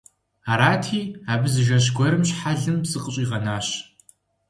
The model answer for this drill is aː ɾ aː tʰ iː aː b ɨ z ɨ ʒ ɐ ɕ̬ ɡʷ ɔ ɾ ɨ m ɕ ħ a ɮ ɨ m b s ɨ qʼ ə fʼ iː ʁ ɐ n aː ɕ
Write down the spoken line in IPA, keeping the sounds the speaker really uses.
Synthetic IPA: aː ɾ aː tʰ iː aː b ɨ z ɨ ʒ ɐ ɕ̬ ɡʷ ɔ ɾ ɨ m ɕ ħ a ɮ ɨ m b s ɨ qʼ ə ɕʼ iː ʁ ɐ n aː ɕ